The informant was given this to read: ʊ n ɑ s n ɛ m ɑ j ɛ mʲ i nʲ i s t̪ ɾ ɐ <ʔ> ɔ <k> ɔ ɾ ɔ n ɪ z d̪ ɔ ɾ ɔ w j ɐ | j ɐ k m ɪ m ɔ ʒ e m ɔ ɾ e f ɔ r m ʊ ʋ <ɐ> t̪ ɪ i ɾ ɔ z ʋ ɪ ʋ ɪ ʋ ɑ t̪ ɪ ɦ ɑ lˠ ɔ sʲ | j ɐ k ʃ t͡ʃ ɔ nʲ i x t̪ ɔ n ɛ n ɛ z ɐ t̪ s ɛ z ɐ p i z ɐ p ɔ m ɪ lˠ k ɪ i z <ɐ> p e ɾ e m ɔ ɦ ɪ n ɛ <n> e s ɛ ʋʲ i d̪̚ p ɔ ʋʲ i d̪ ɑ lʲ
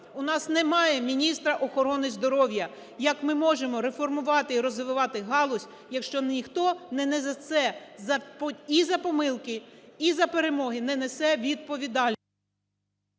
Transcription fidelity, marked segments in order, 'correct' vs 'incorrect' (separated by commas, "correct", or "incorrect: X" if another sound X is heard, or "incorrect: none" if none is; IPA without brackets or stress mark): correct, incorrect: x, incorrect: ɑ, correct, correct